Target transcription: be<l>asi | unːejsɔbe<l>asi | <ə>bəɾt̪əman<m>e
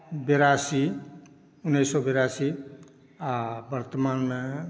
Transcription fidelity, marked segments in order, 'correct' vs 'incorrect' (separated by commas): incorrect, incorrect, incorrect, correct